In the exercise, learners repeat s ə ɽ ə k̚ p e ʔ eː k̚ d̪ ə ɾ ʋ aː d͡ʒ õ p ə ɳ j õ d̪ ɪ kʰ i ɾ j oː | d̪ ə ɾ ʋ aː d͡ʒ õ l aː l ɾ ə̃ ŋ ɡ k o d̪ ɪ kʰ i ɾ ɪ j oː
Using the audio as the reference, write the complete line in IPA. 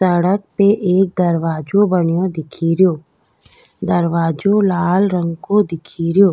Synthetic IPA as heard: s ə ɽ ə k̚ p e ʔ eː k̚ d̪ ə ɾ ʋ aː d͡ʒ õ b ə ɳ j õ d̪ ɪ kʰ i ɾ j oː | d̪ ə ɾ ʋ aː d͡ʒ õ l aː l ɾ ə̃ ŋ ɡ k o d̪ ɪ kʰ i ɾ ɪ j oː